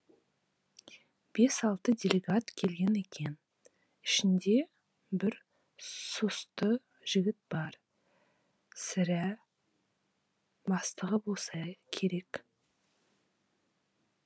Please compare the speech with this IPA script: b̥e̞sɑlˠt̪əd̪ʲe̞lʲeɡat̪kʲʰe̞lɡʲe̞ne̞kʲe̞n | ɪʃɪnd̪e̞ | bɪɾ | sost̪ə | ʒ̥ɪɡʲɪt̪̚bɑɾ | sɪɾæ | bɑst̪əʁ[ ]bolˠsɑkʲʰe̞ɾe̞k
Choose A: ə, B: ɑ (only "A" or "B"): A